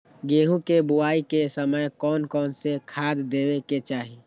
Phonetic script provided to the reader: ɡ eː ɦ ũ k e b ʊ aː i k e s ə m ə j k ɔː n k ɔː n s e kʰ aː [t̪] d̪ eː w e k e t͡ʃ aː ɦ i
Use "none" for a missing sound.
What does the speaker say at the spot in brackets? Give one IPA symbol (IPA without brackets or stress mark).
d̪